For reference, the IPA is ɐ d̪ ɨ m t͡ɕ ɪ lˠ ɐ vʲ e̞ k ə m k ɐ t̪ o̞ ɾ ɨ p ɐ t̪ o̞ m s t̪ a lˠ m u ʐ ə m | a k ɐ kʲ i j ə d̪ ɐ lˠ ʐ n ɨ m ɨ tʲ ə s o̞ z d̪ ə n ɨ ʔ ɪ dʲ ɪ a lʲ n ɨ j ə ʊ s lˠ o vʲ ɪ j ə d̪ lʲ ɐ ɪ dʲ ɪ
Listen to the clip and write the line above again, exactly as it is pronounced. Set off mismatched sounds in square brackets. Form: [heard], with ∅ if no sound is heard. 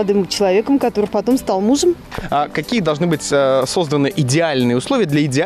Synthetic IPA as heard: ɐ d̪ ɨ m t͡ɕ ɪ lˠ ɐ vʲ e̞ k ə m k ɐ t̪ o̞ ɾ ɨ p ɐ t̪ o̞ m s t̪ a lˠ m u ʐ ə m | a k ɐ kʲ i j ə d̪ ɐ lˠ ʐ n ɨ [b] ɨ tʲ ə s o̞ z d̪ ə n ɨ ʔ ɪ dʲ ɪ a lʲ n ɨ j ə ʊ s lˠ o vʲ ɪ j ə d̪ lʲ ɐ ɪ dʲ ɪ